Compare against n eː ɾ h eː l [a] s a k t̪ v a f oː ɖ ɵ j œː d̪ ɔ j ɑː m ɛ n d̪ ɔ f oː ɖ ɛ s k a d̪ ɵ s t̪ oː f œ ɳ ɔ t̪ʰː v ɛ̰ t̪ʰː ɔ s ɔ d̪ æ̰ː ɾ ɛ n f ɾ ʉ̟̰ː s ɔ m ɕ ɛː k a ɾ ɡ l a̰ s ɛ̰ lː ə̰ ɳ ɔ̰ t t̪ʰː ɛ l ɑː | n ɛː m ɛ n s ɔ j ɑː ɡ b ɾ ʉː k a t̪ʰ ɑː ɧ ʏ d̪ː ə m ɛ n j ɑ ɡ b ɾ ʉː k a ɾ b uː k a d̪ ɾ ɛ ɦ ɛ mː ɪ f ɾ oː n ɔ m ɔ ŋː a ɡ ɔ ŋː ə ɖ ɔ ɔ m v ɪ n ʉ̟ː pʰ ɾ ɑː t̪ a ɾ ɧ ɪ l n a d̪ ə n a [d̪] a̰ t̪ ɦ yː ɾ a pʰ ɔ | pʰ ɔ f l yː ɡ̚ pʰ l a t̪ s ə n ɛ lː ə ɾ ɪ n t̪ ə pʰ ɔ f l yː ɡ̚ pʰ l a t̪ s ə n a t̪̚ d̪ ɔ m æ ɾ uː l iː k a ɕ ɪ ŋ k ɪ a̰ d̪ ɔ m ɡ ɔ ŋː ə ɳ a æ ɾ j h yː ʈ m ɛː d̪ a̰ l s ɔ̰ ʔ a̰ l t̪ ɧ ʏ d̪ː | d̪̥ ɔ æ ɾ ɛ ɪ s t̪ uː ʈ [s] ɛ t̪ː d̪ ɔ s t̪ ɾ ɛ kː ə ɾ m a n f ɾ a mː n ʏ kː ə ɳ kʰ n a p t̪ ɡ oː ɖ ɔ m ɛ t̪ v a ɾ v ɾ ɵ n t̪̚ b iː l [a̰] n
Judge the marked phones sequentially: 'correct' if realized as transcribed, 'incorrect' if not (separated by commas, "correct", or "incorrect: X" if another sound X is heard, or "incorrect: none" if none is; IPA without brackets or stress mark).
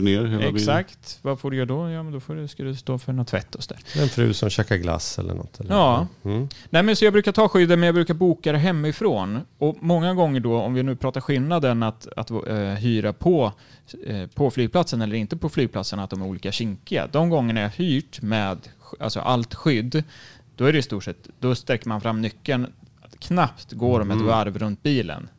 incorrect: ɛ, incorrect: t̪, incorrect: ʂ, incorrect: ə̰